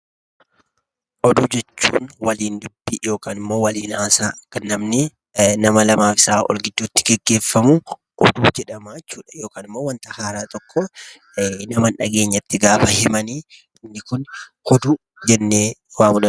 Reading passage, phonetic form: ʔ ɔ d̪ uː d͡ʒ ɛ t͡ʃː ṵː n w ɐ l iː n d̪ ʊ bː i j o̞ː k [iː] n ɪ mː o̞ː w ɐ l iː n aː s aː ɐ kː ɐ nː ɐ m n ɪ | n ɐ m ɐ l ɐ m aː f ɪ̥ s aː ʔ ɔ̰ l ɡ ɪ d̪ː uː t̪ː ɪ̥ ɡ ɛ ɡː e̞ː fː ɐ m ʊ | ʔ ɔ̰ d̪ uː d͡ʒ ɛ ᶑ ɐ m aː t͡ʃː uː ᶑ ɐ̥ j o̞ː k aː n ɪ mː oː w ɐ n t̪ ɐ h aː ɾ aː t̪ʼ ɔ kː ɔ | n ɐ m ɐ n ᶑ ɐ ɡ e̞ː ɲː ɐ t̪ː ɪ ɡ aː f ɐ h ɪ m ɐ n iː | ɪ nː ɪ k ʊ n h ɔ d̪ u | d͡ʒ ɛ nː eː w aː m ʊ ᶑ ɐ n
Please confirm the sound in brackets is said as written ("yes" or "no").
no